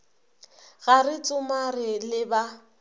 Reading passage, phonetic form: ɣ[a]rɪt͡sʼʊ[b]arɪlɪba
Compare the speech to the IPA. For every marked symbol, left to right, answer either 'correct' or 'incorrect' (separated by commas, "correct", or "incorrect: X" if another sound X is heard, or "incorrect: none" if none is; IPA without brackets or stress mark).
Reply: correct, incorrect: m